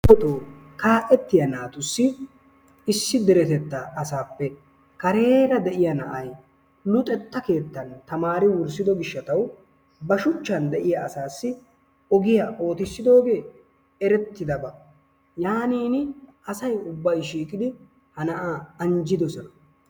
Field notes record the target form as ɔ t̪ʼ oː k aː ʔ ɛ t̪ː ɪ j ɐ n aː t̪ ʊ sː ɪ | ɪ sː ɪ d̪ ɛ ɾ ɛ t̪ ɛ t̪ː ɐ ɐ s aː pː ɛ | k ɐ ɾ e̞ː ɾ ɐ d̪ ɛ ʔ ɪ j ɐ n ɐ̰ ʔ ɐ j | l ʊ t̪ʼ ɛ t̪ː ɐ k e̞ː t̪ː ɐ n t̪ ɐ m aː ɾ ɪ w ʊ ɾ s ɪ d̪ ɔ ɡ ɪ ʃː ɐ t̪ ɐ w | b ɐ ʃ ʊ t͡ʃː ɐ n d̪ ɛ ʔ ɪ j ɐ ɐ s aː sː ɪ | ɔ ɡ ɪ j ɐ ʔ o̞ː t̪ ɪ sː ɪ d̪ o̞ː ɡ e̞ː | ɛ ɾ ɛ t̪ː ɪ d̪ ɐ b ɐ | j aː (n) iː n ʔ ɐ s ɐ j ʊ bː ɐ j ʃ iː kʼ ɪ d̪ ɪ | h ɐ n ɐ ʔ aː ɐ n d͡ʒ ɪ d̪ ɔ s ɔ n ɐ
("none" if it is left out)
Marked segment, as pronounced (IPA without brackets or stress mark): n